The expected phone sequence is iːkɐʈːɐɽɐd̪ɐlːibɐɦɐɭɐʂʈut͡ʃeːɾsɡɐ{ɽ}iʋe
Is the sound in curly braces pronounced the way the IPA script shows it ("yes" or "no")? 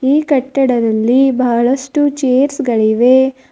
no